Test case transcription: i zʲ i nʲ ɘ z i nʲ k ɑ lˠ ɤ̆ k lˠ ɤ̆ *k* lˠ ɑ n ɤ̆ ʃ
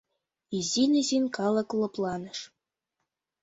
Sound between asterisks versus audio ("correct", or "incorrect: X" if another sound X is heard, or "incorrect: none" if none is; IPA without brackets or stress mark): incorrect: p